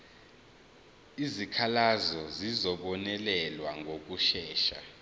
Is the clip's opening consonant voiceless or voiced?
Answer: voiced